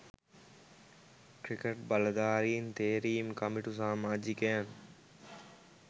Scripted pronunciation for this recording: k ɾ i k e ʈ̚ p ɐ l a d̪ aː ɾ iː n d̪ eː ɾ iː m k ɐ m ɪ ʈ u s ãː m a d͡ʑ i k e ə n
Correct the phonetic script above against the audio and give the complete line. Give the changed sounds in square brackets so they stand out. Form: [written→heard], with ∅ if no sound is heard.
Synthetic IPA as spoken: k ɾ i k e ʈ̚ [p→b] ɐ l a d̪ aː ɾ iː n [d̪→t̪] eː ɾ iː m k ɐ m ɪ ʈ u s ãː m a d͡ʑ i k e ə n